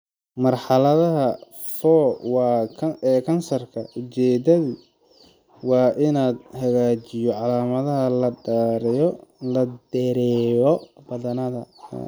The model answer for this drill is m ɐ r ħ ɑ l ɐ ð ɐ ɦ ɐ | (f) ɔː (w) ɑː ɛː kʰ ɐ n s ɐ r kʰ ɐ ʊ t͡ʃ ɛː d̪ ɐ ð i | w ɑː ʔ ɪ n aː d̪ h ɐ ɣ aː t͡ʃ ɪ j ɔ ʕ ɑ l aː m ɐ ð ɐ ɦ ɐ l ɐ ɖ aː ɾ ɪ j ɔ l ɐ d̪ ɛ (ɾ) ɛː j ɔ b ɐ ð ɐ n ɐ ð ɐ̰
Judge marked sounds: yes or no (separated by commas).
yes, yes, yes